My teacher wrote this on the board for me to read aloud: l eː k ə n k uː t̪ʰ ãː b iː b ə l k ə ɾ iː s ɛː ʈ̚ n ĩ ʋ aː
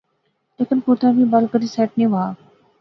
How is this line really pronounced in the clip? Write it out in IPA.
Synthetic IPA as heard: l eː k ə n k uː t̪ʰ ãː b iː b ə l k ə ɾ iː s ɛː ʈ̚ n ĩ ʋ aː